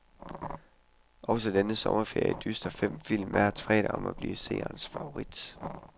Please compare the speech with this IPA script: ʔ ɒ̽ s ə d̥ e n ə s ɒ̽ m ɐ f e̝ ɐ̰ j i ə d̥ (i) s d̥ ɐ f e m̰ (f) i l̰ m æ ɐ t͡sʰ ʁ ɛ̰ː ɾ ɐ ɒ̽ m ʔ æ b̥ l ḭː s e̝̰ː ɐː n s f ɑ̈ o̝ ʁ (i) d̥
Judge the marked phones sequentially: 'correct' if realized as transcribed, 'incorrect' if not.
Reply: incorrect: y, correct, correct

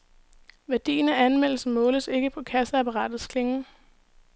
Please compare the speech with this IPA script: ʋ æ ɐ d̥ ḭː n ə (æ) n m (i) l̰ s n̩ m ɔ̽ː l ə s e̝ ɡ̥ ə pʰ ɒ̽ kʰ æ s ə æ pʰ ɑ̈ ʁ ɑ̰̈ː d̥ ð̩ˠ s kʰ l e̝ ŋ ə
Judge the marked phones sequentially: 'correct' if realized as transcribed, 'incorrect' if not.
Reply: correct, incorrect: e

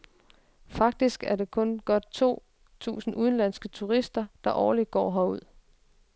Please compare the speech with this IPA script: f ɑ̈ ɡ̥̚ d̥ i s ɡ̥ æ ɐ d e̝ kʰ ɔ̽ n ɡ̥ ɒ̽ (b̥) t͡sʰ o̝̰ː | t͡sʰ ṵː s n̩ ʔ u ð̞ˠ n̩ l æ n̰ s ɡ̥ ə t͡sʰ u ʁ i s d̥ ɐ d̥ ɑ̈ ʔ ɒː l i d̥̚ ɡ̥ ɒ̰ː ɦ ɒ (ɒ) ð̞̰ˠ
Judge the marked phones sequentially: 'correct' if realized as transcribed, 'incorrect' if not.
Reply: incorrect: d̥, incorrect: u

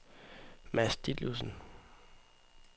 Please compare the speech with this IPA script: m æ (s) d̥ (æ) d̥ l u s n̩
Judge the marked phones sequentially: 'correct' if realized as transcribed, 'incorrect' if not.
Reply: correct, incorrect: i

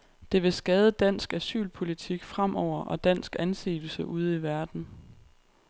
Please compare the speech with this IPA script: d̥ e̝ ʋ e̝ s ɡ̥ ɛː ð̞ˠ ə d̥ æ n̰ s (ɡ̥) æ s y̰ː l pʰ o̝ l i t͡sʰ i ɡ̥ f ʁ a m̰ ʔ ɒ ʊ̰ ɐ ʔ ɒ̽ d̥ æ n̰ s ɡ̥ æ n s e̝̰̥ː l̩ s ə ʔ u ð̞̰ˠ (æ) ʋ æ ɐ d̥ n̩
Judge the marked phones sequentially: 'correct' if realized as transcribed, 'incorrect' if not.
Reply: correct, incorrect: i

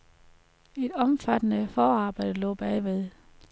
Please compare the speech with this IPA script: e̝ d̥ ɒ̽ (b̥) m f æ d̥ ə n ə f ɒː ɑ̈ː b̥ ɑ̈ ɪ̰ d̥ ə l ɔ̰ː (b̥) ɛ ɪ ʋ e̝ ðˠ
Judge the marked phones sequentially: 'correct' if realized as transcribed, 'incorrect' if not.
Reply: incorrect: none, correct

